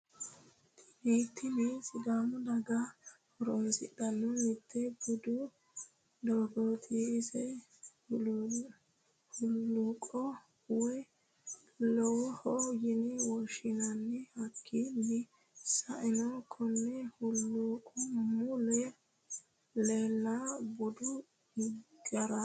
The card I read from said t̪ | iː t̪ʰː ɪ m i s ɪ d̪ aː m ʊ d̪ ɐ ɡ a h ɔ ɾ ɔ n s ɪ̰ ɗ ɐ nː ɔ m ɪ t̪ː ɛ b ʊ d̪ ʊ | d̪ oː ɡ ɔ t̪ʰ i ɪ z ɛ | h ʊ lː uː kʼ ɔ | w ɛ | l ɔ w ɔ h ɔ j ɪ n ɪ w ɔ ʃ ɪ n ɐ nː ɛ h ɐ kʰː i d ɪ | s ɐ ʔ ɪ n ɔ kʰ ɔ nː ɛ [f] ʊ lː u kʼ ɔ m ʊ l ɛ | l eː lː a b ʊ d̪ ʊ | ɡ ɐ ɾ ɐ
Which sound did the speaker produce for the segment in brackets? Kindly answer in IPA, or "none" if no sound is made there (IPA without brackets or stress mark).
h